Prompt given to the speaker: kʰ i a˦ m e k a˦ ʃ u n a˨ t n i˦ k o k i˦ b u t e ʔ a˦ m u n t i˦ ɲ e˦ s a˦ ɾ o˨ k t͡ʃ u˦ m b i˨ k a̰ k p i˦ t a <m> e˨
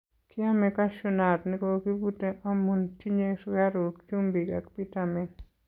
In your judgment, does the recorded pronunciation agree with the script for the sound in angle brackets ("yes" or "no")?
yes